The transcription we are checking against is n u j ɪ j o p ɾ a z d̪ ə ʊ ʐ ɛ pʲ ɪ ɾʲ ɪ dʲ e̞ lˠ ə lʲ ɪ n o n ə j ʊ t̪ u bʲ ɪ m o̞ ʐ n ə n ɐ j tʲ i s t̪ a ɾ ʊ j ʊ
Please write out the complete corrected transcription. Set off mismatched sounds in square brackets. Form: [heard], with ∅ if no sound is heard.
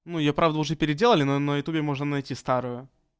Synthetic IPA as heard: n u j ɪ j o p ɾ a [v] d̪ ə ʊ ʐ ɛ pʲ ɪ ɾʲ ɪ dʲ e̞ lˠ ə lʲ ɪ n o n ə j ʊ t̪ u bʲ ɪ m o̞ ʐ n ə n ɐ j tʲ i s t̪ a ɾ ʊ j ʊ